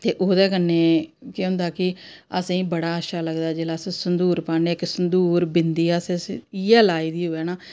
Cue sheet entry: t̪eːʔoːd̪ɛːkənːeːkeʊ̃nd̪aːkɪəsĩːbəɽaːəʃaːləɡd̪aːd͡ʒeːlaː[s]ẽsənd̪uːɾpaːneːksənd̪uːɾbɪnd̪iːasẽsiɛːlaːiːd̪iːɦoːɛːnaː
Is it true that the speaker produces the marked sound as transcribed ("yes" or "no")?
yes